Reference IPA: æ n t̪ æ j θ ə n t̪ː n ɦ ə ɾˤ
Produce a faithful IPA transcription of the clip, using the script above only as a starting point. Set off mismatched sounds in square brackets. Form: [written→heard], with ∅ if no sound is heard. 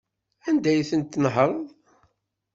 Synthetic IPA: æ n [t̪→d̪] æ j θ ə n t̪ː n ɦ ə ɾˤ

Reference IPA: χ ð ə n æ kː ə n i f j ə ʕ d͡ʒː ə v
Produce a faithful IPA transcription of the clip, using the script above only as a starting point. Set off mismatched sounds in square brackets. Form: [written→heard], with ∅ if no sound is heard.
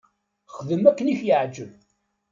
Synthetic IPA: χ ð ə [n→m] æ kː ə n i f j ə ʕ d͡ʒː ə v

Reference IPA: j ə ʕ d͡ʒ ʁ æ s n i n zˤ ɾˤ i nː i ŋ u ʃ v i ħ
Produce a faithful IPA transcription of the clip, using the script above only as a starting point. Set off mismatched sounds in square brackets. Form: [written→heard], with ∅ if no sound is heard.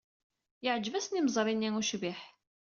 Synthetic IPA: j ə ʕ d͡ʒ [ʁ→v] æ s n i [n→m] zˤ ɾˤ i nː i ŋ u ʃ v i ħ

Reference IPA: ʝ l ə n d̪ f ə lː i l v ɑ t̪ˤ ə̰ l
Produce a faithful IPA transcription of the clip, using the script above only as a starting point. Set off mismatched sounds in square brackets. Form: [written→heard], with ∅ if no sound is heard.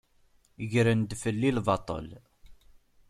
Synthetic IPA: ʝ [l→ɾ] ə n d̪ f ə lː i l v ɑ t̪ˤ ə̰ l

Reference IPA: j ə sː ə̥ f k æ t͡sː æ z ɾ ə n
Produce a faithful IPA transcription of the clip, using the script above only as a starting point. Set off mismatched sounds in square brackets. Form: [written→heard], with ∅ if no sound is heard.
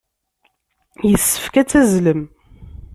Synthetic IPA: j ə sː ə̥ f k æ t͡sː æ z [ɾ→l] ə [n→m]

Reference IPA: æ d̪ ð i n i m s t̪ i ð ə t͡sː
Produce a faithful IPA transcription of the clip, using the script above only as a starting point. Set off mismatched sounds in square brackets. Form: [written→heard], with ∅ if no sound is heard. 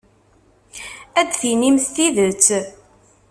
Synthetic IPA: æ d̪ [ð→θ] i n i m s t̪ i ð ə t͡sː

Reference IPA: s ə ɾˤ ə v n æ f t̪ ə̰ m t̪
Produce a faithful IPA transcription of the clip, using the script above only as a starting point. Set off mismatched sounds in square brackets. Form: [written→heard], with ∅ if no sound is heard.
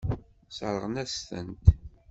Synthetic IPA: s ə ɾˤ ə [v→ʁ] n æ [f→s] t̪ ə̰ [m→n] t̪

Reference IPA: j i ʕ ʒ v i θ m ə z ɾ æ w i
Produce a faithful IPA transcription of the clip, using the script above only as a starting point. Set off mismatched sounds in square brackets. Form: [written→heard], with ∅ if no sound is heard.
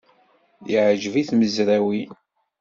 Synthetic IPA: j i ʕ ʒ v i θ m ə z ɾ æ w i

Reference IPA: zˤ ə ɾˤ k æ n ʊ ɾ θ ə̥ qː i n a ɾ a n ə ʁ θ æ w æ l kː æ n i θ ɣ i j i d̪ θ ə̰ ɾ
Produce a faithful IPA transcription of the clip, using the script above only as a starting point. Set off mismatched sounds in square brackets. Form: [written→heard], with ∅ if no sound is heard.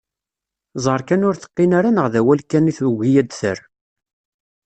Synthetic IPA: zˤ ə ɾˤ k æ n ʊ ɾ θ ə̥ qː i n a ɾ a n ə ʁ [θ→ð] æ w æ l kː æ n i θ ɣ i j [i→æ] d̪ θ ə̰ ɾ

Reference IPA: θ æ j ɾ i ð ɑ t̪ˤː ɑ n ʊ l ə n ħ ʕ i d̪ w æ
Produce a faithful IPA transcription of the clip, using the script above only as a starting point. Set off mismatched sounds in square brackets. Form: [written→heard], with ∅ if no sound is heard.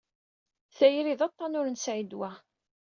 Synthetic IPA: θ æ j ɾ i ð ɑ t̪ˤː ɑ n ʊ [l→ɾ] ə n [ħ→s] ʕ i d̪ w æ

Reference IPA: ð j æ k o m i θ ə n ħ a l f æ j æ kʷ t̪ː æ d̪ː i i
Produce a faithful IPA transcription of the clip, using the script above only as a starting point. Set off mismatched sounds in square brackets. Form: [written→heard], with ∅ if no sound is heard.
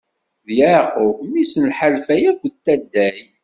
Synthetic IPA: ð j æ [k→q] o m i [θ→s] ə n ħ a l f æ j æ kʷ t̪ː æ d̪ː [i→æ] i

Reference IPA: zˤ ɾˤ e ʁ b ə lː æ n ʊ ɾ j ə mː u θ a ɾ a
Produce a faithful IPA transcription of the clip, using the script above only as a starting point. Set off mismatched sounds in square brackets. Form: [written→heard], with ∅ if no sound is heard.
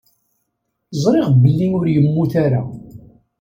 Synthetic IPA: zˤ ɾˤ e ʁ b ə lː [æ→i] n ʊ ɾ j ə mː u θ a ɾ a

